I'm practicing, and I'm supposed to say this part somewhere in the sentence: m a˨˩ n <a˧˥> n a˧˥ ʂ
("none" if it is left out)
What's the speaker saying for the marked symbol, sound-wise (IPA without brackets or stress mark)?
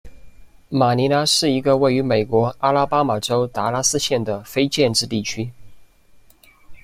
i˧˥